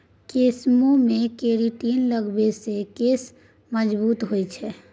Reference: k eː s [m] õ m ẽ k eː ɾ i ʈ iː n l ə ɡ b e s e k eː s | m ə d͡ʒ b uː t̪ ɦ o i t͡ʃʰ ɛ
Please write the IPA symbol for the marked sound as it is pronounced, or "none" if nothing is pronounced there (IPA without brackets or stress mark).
m